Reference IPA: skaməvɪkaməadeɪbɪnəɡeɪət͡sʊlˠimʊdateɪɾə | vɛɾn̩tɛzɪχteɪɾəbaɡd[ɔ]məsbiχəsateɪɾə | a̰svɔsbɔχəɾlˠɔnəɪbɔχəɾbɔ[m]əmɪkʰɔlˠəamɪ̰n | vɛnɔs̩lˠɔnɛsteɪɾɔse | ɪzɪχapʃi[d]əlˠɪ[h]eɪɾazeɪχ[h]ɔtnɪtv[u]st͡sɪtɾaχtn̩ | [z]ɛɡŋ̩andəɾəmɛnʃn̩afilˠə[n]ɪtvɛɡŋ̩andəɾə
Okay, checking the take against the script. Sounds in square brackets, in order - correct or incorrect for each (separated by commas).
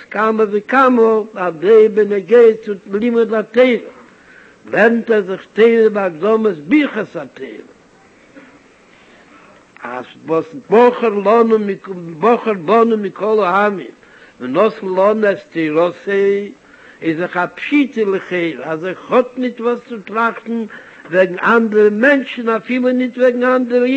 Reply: correct, incorrect, incorrect, incorrect, correct, incorrect, incorrect, correct